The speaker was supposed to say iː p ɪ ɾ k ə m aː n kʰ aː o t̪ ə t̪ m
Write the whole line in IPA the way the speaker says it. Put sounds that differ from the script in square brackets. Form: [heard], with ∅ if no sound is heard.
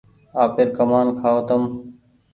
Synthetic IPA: [aː] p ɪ ɾ k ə m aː n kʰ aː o t̪ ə [∅] m